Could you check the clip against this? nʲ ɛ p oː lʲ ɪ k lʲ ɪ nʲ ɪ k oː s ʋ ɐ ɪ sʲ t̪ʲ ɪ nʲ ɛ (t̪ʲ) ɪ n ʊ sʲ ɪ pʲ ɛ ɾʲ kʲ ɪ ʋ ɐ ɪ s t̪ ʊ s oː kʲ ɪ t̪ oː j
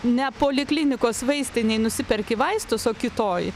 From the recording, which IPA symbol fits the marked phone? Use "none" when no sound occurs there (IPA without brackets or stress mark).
none